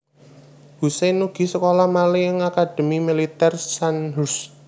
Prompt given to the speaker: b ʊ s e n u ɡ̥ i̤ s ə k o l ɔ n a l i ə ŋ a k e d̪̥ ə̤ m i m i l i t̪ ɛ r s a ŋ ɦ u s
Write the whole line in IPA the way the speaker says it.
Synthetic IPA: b u s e n u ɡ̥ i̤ s ə k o l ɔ m a l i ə ŋ a k a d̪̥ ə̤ m i m i l i t̪ ɛ r s a n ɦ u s